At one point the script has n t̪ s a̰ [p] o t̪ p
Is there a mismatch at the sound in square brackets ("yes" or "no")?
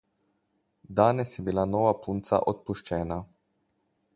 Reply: yes